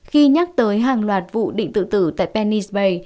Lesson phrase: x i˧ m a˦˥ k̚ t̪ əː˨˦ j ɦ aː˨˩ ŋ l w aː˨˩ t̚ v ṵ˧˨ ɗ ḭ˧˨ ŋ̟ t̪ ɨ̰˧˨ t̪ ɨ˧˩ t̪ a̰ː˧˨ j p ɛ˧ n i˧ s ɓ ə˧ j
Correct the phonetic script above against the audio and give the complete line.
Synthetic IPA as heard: x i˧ ɲ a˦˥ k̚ t̪ əː˨˦ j ɦ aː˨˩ ŋ l w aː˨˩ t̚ v ṵ˧˨ ɗ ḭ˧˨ ŋ̟ t̪ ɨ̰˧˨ t̪ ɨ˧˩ t̪ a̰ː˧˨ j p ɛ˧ n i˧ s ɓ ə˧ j